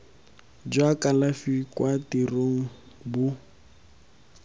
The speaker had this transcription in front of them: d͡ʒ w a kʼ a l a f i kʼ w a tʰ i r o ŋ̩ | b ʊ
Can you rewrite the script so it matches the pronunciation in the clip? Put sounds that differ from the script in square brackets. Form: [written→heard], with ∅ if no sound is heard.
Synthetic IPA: d͡ʒ w a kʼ a l a f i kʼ w a [tʰ→t] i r o ŋ̩ | b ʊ